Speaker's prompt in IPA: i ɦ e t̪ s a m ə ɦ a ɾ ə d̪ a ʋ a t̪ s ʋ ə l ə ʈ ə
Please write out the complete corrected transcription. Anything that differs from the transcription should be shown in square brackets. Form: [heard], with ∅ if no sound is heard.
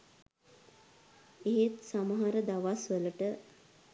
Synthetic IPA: [e] ɦ e t̪ s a m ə ɦ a ɾ ə d̪ a ʋ a [∅] s ʋ ə l ə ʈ ə